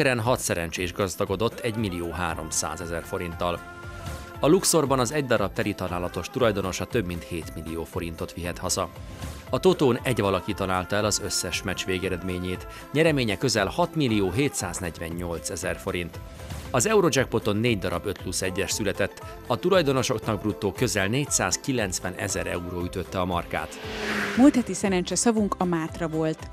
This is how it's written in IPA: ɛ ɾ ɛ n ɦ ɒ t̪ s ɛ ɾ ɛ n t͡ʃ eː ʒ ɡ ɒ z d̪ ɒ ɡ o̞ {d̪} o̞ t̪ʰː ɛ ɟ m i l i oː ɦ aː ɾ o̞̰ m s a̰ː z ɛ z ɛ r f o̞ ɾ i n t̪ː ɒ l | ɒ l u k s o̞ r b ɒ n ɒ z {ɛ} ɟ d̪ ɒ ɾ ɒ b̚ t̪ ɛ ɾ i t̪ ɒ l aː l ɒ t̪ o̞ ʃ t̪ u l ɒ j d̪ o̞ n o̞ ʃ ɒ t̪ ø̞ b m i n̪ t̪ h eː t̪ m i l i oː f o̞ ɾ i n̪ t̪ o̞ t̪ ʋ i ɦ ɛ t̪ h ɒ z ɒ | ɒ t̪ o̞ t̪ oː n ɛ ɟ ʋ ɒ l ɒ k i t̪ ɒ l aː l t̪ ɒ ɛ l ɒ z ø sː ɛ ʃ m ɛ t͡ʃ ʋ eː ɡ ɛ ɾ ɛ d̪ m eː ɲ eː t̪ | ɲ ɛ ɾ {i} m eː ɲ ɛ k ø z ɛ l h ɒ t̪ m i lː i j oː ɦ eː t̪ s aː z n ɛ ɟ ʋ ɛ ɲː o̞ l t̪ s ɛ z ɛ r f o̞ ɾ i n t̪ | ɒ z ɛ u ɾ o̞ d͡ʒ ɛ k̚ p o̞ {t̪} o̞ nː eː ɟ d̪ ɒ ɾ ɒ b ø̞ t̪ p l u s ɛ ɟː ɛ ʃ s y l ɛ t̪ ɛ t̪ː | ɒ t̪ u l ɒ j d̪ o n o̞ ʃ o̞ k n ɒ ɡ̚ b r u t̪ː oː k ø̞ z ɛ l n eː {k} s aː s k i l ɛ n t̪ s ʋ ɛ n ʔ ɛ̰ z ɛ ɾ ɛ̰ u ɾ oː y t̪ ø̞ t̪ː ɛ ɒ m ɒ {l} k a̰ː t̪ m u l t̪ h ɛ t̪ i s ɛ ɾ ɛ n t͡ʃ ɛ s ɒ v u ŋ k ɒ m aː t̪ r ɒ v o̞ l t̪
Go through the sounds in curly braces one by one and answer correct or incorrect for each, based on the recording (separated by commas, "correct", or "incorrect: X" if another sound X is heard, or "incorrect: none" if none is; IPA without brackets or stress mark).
correct, correct, incorrect: ɛ, correct, incorrect: c, incorrect: r